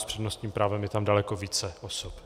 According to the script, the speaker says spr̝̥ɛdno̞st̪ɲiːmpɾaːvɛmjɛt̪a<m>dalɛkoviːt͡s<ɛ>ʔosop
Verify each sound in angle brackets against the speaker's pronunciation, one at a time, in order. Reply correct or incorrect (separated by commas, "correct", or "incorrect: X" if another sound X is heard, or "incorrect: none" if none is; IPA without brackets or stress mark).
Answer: correct, correct